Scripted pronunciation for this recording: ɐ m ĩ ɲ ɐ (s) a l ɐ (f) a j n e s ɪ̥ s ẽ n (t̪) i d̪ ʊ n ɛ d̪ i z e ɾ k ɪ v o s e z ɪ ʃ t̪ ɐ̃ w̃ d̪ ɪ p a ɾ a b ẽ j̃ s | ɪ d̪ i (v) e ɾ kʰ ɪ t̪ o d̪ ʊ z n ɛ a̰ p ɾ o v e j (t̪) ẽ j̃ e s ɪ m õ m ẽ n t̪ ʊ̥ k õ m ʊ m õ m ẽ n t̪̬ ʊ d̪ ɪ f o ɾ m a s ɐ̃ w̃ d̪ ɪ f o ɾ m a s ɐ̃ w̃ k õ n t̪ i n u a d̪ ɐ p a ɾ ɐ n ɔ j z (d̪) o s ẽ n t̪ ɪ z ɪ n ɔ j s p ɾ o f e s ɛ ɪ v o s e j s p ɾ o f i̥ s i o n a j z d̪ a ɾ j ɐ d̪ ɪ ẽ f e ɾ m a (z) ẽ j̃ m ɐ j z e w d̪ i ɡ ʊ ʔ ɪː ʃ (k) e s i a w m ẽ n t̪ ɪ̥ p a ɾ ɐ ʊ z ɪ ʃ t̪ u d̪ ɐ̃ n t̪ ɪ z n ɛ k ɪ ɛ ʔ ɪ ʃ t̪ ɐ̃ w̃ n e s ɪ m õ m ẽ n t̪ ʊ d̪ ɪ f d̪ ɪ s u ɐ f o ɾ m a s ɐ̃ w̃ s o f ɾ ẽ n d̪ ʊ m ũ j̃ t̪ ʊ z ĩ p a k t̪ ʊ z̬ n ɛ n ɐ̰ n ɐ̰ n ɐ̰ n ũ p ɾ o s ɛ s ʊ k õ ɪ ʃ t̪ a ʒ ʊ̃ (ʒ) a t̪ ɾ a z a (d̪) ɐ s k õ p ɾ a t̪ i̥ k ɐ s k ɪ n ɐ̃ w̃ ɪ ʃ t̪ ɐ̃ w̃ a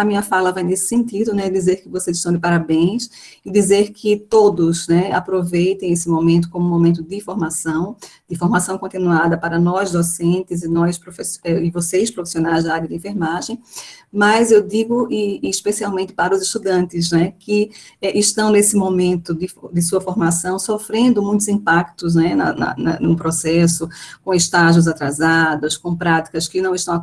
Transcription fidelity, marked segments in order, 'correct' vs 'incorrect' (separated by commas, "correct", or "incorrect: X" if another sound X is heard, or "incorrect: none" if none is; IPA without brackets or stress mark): incorrect: f, incorrect: v, correct, incorrect: z, correct, correct, incorrect: ʒ, incorrect: p, incorrect: z, correct